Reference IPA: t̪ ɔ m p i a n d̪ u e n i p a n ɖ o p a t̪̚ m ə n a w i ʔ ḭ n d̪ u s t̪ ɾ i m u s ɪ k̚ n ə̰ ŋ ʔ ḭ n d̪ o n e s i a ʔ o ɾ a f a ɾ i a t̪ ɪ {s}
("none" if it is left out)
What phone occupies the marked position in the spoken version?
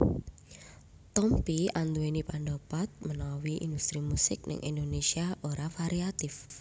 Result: f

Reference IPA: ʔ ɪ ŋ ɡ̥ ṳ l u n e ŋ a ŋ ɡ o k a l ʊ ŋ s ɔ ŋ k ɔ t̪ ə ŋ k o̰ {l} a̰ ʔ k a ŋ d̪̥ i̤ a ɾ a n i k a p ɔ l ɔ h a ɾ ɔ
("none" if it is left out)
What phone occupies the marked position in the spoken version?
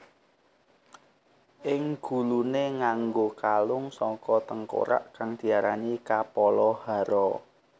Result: ɾ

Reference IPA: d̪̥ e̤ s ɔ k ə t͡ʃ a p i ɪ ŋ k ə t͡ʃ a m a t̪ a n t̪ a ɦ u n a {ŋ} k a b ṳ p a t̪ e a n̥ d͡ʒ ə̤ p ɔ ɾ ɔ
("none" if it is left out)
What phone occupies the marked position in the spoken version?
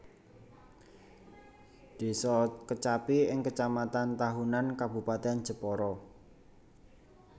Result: n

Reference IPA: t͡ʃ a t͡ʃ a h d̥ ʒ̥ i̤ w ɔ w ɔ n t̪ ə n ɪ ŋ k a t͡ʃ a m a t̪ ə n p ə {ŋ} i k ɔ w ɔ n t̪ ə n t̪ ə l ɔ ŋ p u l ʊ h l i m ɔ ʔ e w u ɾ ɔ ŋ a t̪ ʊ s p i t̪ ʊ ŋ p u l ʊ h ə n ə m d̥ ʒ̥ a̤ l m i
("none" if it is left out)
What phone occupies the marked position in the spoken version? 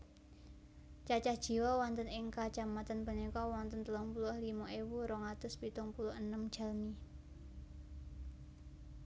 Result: n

